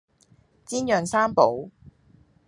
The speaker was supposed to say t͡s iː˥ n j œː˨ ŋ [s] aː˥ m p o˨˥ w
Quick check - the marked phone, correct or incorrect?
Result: correct